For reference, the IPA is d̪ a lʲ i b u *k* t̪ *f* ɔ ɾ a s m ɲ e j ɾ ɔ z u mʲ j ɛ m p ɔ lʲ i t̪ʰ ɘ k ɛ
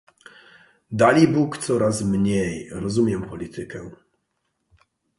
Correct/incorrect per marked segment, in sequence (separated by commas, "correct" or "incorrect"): correct, incorrect